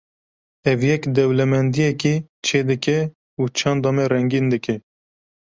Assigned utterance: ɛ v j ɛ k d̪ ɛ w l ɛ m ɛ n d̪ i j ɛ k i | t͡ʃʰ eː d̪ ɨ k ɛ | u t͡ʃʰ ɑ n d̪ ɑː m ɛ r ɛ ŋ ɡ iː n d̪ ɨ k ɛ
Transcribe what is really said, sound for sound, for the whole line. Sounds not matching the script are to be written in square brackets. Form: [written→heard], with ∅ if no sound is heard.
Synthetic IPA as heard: ɛ v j ɛ k d̪ ɛ w l ɛ m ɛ n d̪ i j ɛ k i | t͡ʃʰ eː d̪ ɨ k ɛ | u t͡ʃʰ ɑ n d̪ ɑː m ɛ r ɛ ŋ ɡ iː n d̪ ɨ k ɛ